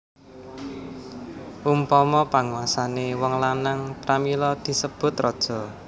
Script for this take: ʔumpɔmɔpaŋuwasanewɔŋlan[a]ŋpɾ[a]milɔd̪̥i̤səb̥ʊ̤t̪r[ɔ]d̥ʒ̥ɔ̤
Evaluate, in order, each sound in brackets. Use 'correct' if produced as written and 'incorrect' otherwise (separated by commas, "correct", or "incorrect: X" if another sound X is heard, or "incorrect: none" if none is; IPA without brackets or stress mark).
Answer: correct, correct, correct